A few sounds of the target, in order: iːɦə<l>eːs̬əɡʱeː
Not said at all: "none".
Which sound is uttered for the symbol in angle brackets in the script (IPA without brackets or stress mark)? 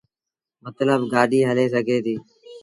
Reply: l